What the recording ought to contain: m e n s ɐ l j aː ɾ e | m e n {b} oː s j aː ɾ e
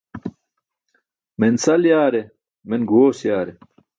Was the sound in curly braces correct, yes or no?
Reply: no